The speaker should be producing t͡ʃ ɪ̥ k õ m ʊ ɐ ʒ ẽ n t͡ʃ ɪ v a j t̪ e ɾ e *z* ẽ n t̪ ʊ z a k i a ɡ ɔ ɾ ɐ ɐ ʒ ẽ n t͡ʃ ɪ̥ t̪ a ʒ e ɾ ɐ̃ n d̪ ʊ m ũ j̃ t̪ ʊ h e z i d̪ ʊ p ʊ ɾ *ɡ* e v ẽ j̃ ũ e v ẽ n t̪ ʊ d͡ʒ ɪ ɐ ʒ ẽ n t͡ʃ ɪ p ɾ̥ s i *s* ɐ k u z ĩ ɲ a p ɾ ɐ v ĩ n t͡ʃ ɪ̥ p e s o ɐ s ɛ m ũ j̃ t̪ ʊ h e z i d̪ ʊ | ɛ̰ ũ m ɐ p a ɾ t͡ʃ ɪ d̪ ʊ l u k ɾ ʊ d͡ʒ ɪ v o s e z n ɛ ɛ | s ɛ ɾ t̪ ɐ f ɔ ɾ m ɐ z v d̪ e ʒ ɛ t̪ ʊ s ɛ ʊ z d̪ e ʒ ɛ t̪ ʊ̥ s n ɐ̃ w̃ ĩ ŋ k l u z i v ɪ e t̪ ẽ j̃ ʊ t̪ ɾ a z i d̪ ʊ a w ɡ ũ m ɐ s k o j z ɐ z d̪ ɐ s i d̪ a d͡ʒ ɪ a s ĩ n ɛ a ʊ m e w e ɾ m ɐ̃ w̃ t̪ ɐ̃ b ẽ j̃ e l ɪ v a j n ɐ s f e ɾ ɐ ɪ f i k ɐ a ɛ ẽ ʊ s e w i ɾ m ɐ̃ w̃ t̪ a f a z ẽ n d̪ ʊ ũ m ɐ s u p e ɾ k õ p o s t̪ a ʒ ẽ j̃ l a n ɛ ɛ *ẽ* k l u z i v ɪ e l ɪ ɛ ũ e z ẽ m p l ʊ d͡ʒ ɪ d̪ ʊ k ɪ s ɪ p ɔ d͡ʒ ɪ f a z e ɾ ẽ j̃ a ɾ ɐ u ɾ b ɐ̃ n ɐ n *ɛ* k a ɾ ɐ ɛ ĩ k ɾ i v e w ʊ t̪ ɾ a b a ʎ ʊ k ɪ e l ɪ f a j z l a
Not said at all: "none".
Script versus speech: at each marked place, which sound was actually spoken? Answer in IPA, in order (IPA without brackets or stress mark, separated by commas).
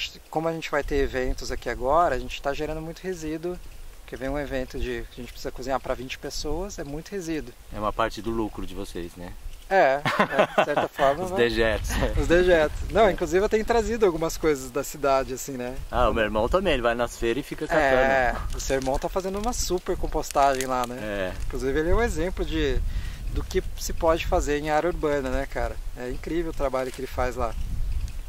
v, k, z, ĩ, ɛ